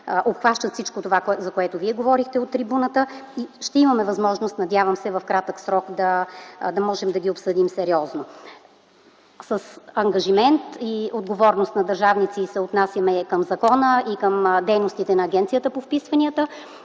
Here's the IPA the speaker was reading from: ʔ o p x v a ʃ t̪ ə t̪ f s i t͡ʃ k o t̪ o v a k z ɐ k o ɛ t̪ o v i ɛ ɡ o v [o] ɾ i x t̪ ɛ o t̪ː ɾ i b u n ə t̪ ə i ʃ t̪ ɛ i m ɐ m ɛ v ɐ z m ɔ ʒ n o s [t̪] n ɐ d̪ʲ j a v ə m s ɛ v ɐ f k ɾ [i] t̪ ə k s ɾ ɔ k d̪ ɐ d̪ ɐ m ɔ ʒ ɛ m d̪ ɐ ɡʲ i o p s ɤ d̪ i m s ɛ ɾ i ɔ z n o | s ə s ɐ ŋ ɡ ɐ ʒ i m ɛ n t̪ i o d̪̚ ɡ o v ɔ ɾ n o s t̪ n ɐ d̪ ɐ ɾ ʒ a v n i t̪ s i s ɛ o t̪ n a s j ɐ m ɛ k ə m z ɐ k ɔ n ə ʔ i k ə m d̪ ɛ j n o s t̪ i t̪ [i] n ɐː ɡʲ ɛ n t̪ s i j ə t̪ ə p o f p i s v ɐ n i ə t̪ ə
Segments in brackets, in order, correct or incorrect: incorrect: ɔ, correct, incorrect: a, incorrect: ɛ

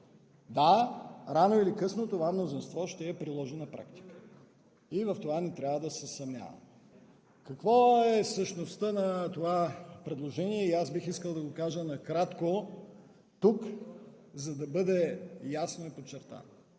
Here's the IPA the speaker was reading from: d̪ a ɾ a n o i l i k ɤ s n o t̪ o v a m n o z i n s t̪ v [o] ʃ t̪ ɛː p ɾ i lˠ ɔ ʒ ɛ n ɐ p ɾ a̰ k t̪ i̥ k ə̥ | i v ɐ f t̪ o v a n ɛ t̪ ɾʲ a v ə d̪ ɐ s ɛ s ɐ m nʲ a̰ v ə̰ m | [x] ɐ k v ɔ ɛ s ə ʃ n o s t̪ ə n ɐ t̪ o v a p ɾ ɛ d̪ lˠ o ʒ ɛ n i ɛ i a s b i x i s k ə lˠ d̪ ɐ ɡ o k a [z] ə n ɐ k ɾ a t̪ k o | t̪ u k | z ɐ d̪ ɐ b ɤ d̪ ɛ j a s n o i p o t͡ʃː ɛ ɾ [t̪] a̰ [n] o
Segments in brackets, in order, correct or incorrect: incorrect: ɔ, incorrect: k, incorrect: ʒ, correct, correct

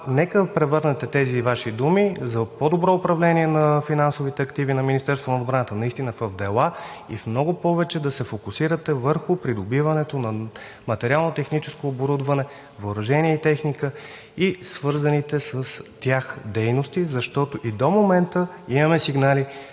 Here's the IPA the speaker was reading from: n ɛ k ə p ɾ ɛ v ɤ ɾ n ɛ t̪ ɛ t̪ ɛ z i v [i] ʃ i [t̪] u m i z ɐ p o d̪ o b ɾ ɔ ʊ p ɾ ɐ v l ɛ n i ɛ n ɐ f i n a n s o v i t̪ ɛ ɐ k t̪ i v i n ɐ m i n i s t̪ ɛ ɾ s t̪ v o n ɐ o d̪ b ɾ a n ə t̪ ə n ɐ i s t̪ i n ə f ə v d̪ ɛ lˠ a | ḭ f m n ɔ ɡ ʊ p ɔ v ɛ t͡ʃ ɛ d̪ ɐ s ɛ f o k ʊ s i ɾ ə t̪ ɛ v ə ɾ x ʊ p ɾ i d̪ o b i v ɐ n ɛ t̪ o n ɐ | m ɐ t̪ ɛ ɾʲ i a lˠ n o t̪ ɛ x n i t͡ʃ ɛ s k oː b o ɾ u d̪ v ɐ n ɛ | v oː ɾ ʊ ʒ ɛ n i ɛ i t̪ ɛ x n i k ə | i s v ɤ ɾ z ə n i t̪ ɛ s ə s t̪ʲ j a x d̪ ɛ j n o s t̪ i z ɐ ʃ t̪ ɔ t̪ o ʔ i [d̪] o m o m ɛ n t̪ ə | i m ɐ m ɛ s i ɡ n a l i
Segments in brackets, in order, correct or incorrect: incorrect: a, incorrect: d̪, correct

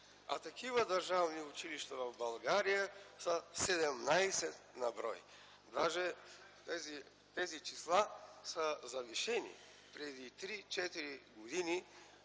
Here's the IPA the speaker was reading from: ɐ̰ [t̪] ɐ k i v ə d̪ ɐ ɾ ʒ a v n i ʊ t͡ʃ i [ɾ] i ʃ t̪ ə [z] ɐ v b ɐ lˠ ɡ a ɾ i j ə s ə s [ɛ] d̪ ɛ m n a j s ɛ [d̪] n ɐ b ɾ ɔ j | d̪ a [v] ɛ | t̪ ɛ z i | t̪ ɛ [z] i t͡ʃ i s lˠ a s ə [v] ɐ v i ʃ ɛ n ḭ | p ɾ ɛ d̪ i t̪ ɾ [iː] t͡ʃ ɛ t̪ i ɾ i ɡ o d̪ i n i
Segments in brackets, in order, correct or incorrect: correct, incorrect: l, incorrect: v, correct, incorrect: t̪, incorrect: ʒ, correct, incorrect: z, incorrect: i

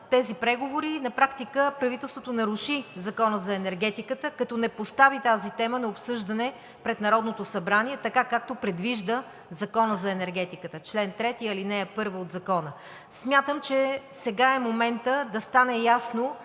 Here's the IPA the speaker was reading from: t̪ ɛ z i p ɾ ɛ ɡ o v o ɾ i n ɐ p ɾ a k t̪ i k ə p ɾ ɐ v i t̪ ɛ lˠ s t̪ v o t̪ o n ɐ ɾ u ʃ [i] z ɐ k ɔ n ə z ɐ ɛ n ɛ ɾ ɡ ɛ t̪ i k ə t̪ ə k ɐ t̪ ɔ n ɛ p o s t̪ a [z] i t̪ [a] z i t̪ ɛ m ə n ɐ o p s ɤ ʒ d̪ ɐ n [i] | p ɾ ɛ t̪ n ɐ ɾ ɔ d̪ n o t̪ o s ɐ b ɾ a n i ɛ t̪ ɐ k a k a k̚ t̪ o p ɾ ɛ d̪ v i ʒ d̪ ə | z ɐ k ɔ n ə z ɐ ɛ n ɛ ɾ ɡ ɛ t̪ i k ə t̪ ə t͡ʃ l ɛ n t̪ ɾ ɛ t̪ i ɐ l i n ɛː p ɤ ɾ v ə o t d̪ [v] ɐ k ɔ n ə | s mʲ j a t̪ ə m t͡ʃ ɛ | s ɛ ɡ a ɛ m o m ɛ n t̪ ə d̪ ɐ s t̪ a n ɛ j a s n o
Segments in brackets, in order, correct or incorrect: correct, incorrect: v, correct, incorrect: ɛ, incorrect: z

